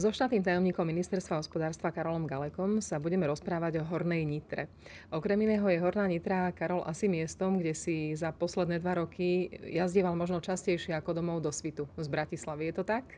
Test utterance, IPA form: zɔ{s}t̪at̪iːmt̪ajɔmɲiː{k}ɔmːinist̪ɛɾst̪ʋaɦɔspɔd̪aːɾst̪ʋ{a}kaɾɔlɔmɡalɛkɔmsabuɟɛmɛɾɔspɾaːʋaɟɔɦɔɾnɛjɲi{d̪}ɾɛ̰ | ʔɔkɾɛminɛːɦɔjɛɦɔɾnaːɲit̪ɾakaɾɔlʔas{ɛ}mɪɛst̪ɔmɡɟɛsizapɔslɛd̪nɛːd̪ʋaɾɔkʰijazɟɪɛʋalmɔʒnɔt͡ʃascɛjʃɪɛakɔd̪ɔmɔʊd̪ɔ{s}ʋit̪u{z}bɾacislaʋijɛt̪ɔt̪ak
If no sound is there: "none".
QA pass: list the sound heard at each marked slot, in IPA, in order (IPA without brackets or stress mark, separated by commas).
ʃ, k, a, t̪, i, s, z